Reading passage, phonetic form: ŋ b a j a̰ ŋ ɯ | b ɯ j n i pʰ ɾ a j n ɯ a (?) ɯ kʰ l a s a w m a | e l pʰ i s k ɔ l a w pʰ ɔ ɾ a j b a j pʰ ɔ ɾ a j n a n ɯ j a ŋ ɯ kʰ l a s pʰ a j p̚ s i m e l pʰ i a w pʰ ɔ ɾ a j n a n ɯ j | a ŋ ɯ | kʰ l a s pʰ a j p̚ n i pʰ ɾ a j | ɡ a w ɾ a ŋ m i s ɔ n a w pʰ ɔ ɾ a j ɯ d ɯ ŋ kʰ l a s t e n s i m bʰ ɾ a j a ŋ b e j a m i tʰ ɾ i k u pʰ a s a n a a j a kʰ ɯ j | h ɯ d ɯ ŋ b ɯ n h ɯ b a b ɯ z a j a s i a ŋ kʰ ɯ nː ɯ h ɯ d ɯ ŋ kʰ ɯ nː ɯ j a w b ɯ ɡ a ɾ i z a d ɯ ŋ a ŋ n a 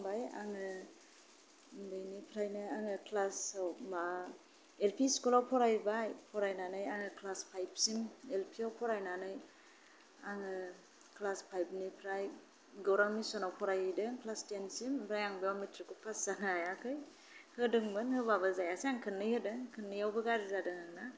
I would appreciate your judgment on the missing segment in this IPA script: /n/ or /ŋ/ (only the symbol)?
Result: ŋ